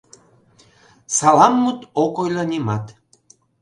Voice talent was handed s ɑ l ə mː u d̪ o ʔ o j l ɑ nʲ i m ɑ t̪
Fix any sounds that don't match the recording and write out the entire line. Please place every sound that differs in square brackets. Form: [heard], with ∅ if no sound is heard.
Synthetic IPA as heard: s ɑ l [ɑ] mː u [t̪] o [k] o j l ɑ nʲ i m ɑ t̪